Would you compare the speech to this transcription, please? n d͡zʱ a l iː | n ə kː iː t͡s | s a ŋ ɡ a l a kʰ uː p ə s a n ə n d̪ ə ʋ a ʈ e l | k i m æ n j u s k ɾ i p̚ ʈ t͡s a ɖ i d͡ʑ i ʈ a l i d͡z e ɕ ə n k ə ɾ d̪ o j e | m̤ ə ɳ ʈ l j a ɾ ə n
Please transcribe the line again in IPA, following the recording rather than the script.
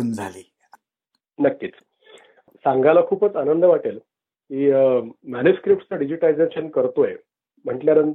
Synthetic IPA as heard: n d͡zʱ a l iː | n ə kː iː t͡s | s a ŋ ɡ a l a kʰ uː p ə t͡s a n ə n d̪ ə ʋ a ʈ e l | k i m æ n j u s k ɾ i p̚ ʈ t͡s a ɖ i d͡ʑ i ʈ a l i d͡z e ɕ ə n k ə ɾ t̪ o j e | m̤ ə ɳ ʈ l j a ɾ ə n